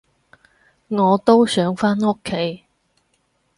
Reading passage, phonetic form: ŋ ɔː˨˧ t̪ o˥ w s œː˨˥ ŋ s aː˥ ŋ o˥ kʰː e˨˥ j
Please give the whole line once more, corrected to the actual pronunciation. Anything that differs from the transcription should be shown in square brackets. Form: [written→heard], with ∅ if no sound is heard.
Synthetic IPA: ŋ ɔː˨˧ t̪ o˥ w s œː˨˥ ŋ [s→f] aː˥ [ŋ→n] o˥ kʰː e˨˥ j